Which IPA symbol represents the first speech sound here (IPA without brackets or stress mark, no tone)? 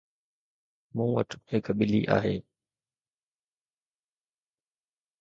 m